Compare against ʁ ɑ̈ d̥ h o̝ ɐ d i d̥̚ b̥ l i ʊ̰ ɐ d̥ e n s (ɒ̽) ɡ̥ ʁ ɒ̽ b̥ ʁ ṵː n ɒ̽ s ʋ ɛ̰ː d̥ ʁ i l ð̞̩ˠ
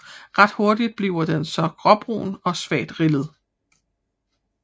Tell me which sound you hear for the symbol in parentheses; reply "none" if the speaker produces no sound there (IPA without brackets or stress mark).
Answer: ɒ̽